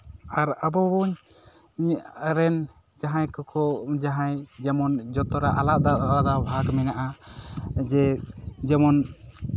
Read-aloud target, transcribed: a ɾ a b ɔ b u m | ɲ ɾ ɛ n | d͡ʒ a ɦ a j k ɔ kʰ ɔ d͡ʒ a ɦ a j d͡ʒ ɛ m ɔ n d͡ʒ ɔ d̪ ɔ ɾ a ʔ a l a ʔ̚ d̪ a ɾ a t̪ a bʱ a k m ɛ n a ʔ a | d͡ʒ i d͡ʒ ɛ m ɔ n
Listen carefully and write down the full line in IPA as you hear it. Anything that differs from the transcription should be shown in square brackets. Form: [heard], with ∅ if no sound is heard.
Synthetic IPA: a ɾ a b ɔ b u [ɲ] | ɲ ɾ ɛ n | d͡ʒ a ɦ a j k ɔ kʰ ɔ d͡ʒ a ɦ a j d͡ʒ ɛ m ɔ n d͡ʒ ɔ [t̪] ɔ ɾ a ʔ a l a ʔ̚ d̪ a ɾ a [d̪] a bʱ a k m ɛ n a ʔ a | d͡ʒ [ɛ] d͡ʒ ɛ m ɔ n